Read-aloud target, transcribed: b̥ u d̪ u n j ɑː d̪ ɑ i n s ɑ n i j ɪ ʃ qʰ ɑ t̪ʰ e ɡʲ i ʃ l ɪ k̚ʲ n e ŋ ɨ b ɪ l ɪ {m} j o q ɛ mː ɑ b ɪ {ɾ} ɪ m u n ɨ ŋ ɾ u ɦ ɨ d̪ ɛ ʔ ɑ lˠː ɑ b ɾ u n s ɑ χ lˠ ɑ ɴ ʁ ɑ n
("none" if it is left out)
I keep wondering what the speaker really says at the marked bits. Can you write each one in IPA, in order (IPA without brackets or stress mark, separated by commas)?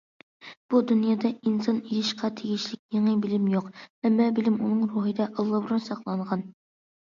m, l